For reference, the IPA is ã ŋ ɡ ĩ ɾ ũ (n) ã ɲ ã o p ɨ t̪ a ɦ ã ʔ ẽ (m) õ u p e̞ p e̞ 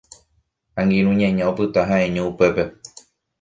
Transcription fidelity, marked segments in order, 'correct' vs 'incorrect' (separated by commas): incorrect, incorrect